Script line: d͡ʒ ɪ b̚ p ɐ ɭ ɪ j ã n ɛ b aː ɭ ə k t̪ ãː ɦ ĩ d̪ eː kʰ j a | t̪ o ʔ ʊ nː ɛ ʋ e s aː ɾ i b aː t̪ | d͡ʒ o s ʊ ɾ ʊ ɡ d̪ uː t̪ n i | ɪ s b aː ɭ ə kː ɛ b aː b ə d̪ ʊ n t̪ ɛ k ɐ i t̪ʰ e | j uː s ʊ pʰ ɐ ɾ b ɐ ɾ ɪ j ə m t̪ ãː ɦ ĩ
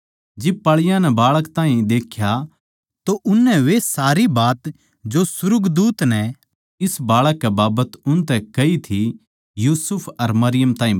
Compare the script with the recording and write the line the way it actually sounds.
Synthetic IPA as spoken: d͡ʒ ɪ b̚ p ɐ ɭ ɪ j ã n ɛ b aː ɭ ə k t̪ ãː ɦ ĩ d̪ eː kʰ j a | t̪ o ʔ ʊ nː ɛ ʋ e s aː ɾ i b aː t̪ | d͡ʒ o s ʊ ɾ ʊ ɡ d̪ uː t̪ n ɛ | ɪ s b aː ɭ ə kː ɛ b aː b ə t̪ ʊ n t̪ ɛ k ɐ i t̪ʰ i | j uː s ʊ pʰ ɐ ɾ m ɐ ɾ ɪ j ə m t̪ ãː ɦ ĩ

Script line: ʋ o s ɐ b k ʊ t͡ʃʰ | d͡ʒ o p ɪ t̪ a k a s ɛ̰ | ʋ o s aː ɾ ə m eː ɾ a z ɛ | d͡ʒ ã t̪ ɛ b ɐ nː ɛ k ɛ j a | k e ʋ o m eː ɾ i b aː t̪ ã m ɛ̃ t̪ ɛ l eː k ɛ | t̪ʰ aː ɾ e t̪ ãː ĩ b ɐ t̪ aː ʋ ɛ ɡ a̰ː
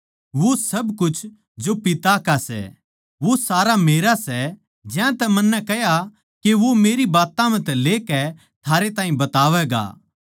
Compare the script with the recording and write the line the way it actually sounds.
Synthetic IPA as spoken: ʋ o s ɐ b k ʊ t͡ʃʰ | d͡ʒ o p ɪ t̪ a k a s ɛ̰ | ʋ o s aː ɾ a m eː ɾ a s ɛ | d͡ʒ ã t̪ ɛ m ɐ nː ɛ k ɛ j a | k e ʋ o m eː ɾ i b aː t̪ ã m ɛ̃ t̪ ɛ l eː k ɛ | t̪ʰ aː ɾ e t̪ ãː ĩ b ɐ t̪ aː ʋ ɛ ɡ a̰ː

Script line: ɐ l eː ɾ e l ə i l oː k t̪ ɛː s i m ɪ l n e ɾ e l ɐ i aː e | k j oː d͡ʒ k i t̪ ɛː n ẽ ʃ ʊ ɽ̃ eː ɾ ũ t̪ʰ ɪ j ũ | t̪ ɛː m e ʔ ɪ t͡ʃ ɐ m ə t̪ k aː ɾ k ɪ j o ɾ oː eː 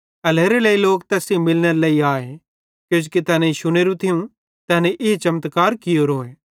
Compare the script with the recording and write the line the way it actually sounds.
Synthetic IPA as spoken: ɐ l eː ɾ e l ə i l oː k t̪ ɛː s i m ɪ l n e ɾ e l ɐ i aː e | k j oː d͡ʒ k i t̪ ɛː n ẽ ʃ ʊ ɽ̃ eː ɾ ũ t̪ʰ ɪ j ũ | t̪ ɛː n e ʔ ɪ t͡ʃ ɐ m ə t̪ k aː ɾ k ɪ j o ɾ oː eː

